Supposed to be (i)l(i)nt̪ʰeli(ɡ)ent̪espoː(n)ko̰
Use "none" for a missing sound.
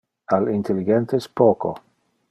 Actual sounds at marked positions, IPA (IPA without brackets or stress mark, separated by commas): a, i, ɡ, none